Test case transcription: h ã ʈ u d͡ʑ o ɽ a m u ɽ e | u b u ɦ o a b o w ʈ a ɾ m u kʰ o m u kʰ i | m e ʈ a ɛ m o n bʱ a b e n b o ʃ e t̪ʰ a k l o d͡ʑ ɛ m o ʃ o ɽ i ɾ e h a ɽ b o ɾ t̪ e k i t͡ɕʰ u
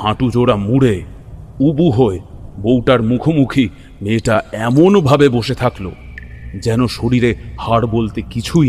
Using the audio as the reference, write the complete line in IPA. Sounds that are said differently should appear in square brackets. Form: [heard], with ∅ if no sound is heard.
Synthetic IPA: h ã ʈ u d͡ʑ o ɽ a m u ɽ e | u b u ɦ o [e] b o w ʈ a ɾ m u kʰ o m u kʰ i | m e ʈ a ɛ m o n bʱ a b e [∅] b o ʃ e t̪ʰ a k l o d͡ʑ ɛ [n] o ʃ o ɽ i ɾ e h a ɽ b o [l] t̪ e k i t͡ɕʰ u